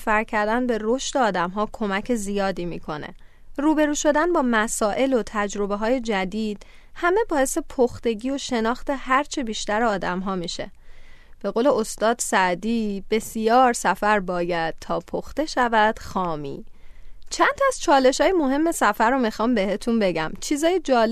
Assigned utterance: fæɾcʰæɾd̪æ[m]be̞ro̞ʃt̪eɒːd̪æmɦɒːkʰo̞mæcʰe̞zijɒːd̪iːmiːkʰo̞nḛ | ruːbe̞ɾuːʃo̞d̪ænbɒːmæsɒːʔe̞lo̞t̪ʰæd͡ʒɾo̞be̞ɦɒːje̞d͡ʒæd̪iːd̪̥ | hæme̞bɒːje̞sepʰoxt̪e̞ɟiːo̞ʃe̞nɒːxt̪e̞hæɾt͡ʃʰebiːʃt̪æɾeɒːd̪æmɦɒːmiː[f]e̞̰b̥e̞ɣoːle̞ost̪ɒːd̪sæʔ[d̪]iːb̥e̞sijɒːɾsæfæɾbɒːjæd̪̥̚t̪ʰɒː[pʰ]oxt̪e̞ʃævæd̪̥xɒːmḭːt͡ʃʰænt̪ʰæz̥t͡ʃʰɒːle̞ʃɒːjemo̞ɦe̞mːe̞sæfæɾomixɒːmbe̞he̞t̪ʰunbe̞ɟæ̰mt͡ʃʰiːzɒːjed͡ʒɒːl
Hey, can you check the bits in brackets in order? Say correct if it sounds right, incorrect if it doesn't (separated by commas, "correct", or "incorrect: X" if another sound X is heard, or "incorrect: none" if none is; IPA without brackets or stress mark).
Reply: incorrect: n, incorrect: ʃ, correct, correct